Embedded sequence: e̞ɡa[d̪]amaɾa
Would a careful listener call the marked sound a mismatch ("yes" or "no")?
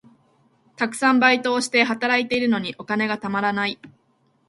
yes